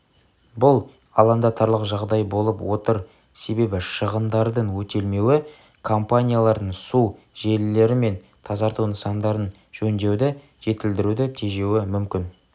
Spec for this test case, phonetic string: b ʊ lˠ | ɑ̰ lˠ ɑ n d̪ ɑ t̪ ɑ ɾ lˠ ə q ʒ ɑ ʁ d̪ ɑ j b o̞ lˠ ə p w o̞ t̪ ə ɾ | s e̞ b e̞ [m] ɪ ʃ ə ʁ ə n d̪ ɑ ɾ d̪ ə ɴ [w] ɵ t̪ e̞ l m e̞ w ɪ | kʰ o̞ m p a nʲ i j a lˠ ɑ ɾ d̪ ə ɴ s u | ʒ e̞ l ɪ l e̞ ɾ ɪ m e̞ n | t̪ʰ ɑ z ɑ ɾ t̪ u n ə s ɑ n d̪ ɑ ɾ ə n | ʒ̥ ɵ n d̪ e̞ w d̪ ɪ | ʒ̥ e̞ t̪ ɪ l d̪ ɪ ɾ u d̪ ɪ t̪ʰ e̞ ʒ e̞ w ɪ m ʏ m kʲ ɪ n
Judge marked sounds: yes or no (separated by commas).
no, yes